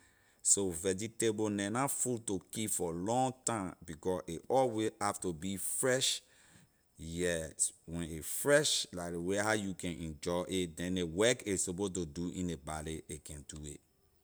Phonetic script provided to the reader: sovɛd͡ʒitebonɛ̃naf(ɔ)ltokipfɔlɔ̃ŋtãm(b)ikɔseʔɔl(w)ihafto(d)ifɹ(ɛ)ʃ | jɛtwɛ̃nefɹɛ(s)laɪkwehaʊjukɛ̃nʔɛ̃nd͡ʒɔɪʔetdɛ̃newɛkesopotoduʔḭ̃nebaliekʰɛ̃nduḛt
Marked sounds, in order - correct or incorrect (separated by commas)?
incorrect, correct, correct, incorrect, correct, incorrect